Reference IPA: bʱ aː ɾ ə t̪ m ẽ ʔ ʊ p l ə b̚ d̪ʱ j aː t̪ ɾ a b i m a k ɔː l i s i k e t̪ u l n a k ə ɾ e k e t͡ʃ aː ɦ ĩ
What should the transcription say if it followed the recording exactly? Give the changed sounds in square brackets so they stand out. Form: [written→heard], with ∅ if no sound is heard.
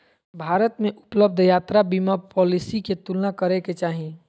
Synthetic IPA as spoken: bʱ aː ɾ ə t̪ m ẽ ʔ ʊ p l ə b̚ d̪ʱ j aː t̪ ɾ a b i m a [k→p] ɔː l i s i k e t̪ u l n a k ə ɾ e k e t͡ʃ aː ɦ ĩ